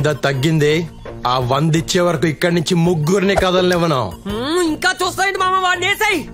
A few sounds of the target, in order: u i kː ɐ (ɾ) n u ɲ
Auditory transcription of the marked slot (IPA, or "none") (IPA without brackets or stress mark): ɽ